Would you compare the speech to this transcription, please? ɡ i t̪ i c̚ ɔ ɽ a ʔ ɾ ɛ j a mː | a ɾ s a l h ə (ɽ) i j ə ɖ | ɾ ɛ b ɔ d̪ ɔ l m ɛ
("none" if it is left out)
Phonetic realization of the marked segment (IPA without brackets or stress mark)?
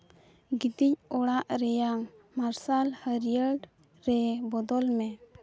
ɾ